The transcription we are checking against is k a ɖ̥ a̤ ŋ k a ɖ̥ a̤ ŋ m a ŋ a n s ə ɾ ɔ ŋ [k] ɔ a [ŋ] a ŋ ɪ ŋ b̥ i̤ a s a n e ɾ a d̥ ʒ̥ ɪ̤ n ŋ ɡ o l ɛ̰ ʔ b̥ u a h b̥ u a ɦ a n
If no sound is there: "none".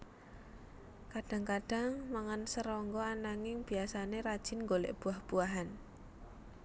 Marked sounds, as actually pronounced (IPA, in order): ɡ, n

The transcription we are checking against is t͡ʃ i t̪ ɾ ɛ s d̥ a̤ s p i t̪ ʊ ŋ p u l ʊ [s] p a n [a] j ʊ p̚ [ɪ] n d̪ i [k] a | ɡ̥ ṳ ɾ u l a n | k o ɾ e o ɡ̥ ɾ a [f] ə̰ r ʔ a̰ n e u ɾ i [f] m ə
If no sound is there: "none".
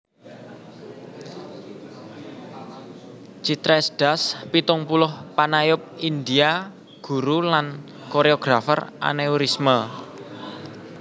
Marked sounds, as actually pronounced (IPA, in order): h, a, i, none, f, s

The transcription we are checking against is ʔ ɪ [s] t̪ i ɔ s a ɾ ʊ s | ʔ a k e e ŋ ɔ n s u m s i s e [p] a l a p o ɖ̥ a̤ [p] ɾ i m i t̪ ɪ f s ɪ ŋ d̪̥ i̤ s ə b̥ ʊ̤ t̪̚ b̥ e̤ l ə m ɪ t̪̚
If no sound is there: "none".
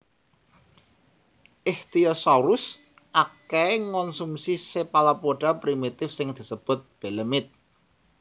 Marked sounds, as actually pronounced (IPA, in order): h, p, p

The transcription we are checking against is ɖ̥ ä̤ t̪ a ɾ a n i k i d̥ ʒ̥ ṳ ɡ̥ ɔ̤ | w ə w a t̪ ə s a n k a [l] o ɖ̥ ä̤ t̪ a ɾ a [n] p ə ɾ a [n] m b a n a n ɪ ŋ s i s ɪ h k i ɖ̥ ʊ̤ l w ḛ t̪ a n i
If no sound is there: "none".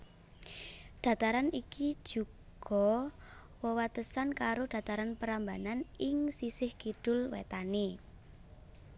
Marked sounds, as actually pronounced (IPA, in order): ɾ, n, none

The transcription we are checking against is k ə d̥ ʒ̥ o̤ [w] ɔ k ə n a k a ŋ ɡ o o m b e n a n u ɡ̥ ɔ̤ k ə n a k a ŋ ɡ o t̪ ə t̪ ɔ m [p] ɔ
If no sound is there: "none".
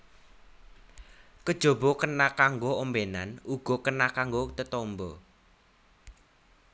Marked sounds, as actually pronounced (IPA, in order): b, b

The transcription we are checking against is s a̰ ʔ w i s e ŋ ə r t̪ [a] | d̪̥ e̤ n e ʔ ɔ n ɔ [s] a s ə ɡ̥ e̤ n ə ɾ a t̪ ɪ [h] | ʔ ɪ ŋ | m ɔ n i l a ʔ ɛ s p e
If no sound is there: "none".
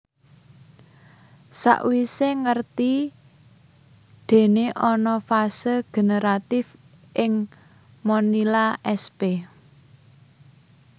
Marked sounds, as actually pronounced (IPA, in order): i, f, f

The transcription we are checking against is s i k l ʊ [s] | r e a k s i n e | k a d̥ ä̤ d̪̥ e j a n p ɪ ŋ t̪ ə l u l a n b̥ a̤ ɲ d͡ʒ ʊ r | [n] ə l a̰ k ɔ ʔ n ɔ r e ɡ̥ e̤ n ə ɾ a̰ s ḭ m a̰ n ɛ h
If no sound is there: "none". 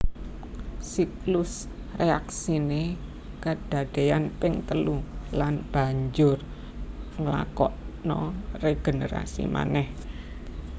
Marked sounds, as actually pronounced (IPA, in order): s, ŋ

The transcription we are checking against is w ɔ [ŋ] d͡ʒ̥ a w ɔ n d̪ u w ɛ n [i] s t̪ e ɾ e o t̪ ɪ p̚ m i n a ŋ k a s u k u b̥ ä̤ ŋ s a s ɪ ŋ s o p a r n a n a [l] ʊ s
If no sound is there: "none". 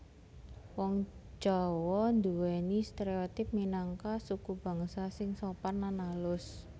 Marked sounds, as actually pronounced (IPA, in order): ŋ, i, l

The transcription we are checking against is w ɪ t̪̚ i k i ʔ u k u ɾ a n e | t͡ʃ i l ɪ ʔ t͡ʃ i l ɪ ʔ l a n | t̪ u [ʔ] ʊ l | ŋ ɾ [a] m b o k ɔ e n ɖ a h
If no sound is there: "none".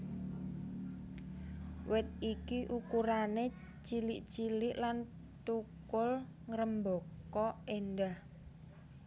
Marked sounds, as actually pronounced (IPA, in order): k, ə

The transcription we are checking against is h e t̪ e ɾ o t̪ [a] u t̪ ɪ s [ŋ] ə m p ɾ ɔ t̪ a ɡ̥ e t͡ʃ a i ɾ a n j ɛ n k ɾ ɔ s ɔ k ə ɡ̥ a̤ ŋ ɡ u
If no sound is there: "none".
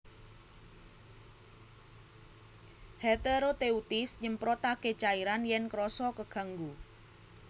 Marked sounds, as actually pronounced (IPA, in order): e, ɲ

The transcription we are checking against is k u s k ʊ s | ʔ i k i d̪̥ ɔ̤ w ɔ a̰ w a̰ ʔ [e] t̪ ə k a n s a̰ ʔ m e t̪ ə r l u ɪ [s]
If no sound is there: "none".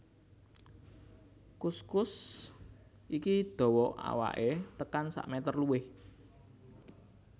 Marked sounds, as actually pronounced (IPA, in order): e, h

